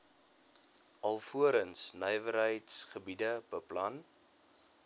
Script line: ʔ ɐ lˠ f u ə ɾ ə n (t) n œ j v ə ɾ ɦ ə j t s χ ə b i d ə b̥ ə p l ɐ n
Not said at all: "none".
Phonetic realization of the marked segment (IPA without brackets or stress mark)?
s